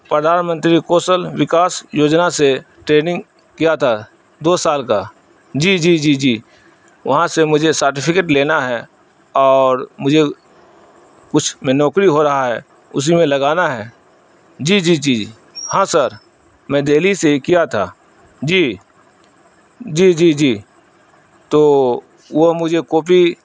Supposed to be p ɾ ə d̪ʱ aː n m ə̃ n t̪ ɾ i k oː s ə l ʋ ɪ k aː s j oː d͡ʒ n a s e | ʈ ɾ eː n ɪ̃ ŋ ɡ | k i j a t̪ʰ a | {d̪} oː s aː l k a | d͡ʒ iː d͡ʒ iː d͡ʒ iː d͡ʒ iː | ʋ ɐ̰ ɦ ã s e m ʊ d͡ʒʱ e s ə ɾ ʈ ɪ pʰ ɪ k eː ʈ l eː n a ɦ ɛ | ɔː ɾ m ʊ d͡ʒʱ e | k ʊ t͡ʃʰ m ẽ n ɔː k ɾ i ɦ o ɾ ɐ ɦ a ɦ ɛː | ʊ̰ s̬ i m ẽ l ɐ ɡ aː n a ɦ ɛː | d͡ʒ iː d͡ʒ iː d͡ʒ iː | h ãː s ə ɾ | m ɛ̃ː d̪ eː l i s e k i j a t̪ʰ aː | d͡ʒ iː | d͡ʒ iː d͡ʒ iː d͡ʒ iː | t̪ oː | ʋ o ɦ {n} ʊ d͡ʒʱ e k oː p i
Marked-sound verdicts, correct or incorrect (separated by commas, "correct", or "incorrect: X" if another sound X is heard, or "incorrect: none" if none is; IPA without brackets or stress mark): correct, incorrect: m